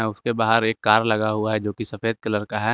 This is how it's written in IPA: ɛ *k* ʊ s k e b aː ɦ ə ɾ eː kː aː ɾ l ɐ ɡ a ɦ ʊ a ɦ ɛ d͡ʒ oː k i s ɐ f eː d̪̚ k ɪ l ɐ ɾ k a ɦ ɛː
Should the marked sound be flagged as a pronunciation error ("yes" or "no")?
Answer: yes